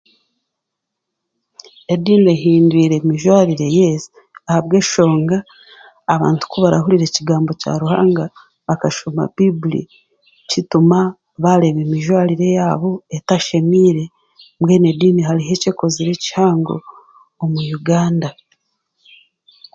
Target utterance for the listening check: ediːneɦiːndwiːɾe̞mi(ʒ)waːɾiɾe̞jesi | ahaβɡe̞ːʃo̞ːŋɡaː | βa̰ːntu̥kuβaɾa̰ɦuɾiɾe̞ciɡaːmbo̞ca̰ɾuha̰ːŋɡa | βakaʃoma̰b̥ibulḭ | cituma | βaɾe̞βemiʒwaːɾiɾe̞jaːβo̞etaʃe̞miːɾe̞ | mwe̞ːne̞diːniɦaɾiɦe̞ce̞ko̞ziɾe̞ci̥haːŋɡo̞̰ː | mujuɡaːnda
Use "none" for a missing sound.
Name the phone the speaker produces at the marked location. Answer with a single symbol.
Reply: ʒ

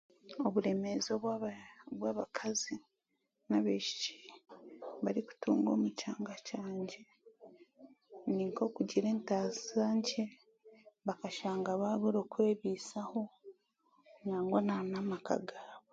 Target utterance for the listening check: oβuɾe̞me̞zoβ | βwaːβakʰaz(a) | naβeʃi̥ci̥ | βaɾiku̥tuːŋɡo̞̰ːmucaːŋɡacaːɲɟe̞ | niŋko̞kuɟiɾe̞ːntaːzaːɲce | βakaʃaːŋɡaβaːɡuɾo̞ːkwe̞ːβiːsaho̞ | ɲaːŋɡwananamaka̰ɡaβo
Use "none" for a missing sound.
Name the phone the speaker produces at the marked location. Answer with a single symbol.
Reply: i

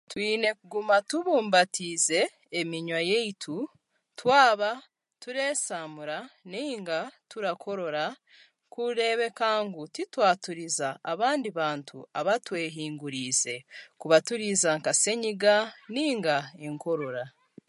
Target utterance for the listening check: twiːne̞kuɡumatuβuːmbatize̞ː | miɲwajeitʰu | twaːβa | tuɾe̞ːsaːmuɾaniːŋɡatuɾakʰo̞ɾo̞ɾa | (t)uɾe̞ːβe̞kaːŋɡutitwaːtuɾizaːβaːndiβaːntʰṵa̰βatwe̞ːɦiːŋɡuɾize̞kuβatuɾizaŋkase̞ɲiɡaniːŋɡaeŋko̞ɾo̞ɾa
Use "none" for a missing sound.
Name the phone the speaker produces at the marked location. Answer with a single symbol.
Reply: k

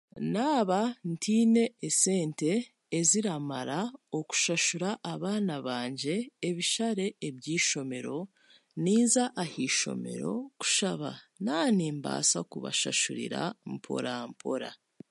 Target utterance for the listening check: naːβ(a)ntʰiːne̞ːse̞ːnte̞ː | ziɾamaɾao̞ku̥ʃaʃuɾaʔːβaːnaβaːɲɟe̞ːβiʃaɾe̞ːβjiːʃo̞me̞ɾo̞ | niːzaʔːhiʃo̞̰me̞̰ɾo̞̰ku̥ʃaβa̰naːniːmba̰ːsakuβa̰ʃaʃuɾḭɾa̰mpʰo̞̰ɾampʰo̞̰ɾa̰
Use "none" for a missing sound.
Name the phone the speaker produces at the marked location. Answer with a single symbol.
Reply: a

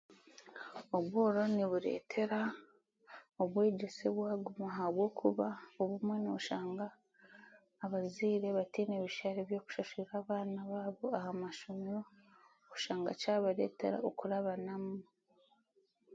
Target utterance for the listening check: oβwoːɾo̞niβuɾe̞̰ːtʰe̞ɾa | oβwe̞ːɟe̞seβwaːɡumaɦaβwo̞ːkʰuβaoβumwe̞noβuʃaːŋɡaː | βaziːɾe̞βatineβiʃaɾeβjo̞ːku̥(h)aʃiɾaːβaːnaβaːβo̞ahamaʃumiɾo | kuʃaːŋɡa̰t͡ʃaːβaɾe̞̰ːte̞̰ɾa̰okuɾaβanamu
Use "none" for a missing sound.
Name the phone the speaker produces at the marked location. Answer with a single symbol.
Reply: ʃ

